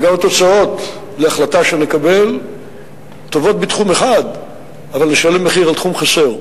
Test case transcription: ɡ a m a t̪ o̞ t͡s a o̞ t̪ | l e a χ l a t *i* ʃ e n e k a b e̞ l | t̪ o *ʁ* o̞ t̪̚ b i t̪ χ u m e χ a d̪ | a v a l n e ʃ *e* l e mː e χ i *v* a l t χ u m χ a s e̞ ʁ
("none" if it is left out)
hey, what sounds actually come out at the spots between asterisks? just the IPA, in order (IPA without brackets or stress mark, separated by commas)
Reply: a, v, a, ʁ